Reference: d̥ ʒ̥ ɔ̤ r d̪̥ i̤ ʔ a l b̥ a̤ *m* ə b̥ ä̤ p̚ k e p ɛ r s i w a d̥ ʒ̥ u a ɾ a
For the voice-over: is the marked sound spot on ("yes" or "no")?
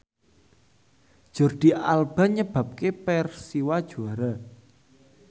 no